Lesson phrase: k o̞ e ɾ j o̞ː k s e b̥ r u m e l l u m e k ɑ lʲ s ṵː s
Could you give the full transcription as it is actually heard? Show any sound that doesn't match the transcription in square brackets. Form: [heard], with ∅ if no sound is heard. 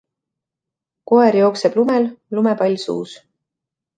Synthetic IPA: k o̞ e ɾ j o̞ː k s e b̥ [l] u m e l l u m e [p] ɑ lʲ s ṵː s

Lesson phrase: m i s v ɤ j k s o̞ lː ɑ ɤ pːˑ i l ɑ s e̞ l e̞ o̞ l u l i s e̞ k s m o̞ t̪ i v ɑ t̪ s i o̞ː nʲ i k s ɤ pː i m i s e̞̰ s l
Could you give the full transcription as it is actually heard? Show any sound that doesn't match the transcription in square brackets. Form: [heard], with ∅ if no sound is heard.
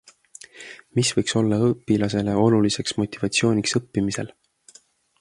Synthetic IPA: m i s v ɤ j k s o̞ lː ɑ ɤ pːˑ i l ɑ s e̞ l e̞ o̞ l u l i s e̞ k s m o̞ t̪ i v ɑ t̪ s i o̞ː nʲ i k s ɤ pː i m i s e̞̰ [∅] l

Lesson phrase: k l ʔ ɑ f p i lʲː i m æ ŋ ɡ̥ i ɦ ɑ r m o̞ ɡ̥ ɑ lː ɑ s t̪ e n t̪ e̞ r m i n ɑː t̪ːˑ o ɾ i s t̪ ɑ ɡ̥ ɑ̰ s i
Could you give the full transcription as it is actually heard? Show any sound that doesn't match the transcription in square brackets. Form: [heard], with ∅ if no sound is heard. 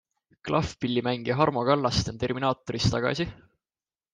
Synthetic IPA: k l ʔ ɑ f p i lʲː i m æ ŋ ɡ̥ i ɦ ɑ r m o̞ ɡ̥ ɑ lː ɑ s t̪ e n t̪ e̞ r m i n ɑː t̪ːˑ o ɾ i s t̪ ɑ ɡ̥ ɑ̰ s i

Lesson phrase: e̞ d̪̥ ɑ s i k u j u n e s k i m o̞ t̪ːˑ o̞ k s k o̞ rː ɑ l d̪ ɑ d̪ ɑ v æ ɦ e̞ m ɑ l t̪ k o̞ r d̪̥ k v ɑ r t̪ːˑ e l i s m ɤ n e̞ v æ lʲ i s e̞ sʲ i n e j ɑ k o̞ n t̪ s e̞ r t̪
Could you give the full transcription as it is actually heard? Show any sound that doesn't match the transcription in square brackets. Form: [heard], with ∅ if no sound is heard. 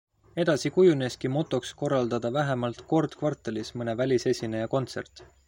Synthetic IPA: e̞ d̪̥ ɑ s i k u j u n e s k i m o̞ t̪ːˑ o̞ k s k o̞ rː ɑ l d̪ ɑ d̪ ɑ v æ ɦ e̞ m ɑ l t̪ k o̞ r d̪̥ k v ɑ r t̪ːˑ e l i s m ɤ n e̞ v æ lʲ i s e̞ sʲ i n e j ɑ k o̞ n t̪ s e̞ r t̪

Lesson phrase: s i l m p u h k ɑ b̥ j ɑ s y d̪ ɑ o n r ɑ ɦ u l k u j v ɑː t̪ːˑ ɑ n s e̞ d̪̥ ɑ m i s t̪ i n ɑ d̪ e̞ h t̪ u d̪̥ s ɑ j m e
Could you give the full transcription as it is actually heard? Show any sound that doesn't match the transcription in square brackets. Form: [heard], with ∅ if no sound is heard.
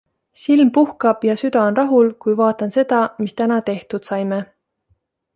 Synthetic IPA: s i l m p u h k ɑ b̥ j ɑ s y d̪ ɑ o n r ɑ ɦ u l k u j v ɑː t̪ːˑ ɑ n s e̞ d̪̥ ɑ m i s t̪ [æ] n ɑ [t̪] e̞ h t̪ u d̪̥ s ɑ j m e

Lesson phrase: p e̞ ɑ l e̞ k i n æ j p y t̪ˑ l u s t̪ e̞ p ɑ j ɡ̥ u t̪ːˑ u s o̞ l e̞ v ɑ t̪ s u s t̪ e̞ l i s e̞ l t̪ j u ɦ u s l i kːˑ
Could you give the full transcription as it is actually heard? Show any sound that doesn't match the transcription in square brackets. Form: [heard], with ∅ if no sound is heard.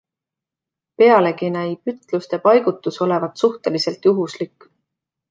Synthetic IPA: p e̞ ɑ l e̞ k i n æ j p y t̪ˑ l u s t̪ e̞ p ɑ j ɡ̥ u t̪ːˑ u s o̞ l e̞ v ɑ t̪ s u [h] t̪ e̞ l i s e̞ l t̪ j u ɦ u s l i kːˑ

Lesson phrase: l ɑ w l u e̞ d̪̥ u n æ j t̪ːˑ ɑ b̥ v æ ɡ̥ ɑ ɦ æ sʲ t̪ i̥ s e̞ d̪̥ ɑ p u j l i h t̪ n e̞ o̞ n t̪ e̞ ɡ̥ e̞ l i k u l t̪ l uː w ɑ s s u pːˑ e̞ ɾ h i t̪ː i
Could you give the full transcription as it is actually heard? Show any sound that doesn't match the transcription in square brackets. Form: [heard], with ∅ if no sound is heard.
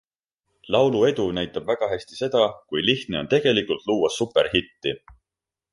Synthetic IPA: l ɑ w l u e̞ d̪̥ u n æ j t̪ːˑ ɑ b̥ v æ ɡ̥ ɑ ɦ æ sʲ t̪ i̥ s e̞ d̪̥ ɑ [k] u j l i h t̪ n e̞ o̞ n t̪ e̞ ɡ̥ e̞ l i k u l t̪ l uː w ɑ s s u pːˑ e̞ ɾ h i t̪ː i

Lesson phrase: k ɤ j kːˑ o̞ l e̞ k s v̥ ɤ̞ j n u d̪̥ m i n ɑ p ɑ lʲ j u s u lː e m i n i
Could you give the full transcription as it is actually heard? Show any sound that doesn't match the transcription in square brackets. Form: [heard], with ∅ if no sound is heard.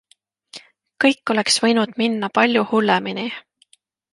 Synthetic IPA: k ɤ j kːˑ o̞ l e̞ k s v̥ ɤ̞ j n u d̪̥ m i [nː] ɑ p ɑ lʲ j u [h] u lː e m i n i

